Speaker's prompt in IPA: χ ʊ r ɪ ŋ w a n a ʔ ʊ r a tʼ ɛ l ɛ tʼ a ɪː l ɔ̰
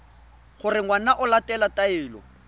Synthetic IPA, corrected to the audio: χ ʊ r ɪ ŋ w a n a ʔ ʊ l a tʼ ɛ l a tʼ a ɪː l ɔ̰

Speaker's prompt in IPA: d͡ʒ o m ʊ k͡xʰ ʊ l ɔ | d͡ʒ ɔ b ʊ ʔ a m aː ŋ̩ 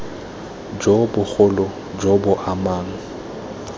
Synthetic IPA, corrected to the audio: d͡ʒ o b ʊ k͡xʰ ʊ l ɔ | d͡ʒ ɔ b ʊ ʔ a m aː ŋ̩

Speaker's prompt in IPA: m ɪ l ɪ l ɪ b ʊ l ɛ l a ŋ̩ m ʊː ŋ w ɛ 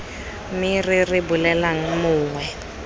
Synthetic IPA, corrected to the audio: m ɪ r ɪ r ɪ b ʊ l ɛ l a ŋ̩ m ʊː ŋ w ɛ

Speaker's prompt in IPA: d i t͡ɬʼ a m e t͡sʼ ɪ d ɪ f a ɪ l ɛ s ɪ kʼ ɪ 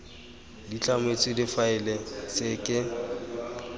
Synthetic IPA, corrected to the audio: d i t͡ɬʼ a m e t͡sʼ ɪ d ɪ f a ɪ l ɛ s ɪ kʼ ɪ

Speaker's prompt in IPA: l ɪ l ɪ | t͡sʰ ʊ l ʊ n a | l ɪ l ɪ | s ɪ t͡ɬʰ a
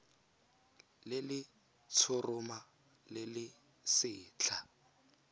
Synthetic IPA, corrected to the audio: l ɪ l ɪ | t͡sʰ ʊ r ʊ m a | l ɪ l ɪ | s ɪː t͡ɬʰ a

